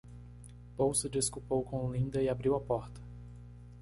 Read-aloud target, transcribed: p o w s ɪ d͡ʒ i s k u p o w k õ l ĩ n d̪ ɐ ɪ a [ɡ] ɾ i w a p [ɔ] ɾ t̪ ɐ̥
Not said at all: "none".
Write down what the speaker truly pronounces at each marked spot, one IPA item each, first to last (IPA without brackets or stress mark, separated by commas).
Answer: b, ɔ